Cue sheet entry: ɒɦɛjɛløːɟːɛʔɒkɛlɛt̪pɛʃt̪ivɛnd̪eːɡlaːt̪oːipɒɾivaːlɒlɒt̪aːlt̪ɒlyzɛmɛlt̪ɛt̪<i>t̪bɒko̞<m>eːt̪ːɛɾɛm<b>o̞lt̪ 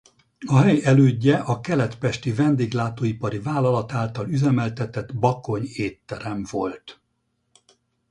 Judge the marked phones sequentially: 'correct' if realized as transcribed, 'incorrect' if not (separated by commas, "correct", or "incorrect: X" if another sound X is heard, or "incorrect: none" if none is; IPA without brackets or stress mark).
incorrect: ɛ, incorrect: ɲ, incorrect: v